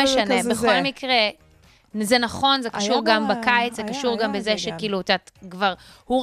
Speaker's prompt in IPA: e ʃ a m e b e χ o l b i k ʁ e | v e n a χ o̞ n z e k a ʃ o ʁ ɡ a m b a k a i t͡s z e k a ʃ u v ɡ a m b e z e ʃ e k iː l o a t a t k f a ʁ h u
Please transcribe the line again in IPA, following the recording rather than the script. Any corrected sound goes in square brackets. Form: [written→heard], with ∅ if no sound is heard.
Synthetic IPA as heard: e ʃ a [m→n] e b e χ o l [b→m] i k ʁ e | [v→z] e n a χ o̞ n z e k a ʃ [o→u] ʁ ɡ a m b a k a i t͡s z e k a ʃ u [v→ʁ] ɡ a m b e z e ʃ e k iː l [o→u] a t a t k [f→v] a ʁ h u